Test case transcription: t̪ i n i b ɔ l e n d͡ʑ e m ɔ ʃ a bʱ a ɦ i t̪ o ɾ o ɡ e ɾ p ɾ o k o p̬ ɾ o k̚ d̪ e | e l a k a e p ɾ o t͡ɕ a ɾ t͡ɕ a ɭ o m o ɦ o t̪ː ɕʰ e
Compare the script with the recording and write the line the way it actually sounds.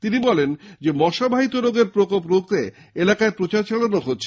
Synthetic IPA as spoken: t̪ i n i b ɔ l e n d͡ʑ e m ɔ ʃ a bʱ a ɦ i t̪ o ɾ o ɡ e ɾ p ɾ o k o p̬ ɾ o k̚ t̪ e | e l a k a e p ɾ o t͡ɕ a ɾ t͡ɕ a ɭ o n o ɦ o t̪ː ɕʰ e